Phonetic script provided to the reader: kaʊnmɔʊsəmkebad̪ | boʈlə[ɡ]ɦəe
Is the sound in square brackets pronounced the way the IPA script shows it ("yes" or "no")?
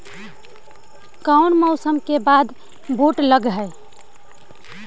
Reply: yes